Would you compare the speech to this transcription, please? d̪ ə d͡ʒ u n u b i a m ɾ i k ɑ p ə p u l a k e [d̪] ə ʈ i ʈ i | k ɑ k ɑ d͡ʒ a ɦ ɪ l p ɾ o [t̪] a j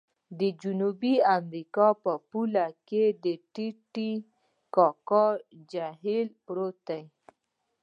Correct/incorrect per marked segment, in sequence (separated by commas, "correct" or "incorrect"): correct, correct